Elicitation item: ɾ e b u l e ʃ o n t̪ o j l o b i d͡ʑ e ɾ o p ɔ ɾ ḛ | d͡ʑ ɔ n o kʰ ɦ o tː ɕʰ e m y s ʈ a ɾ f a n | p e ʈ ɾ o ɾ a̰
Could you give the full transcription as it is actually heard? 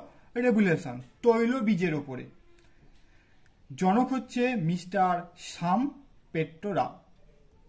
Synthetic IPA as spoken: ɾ e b u l e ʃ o n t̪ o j l o b i d͡ʑ e ɾ o p o ɾ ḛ | d͡ʑ ɔ n o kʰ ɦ o tː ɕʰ e m i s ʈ a ɾ ʃ a m | p e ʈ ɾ o ɾ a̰